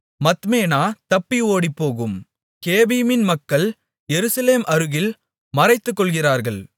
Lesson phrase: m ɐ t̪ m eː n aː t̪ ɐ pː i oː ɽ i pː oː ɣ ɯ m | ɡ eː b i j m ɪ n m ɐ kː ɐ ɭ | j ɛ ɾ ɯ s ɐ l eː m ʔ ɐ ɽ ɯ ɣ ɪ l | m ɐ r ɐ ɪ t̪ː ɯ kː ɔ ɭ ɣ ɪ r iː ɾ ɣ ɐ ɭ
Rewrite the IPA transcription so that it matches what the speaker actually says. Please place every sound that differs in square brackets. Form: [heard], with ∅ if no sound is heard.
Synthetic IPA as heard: m ɐ t̪ m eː n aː t̪ ɐ pː i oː ɽ i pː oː ɣ ɯ m | [k] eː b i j m ɪ n m ɐ kː ɐ ɭ | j ɛ ɾ ɯ s ɐ l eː m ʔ ɐ [ɾ] ɯ ɣ ɪ l | m ɐ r ɐ ɪ t̪ː ɯ kː ɔ ɭ ɣ ɪ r [aː] ɾ ɣ ɐ ɭ